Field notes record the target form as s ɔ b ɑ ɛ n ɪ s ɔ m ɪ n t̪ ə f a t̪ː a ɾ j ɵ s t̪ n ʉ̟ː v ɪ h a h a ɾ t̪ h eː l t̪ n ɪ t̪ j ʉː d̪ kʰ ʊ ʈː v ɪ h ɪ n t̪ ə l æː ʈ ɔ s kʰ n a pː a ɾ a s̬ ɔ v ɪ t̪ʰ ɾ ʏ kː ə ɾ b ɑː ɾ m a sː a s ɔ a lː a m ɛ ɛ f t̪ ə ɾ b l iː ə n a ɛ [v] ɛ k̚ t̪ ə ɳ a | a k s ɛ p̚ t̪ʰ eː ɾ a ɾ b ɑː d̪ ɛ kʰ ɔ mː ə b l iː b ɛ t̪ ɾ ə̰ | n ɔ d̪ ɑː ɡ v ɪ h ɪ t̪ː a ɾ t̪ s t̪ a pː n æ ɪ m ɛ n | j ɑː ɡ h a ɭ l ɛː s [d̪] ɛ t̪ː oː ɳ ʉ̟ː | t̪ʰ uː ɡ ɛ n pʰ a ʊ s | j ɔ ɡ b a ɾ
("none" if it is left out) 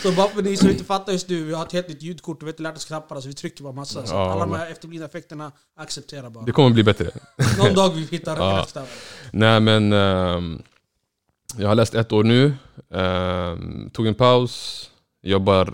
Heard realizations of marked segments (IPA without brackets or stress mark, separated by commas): f, t̪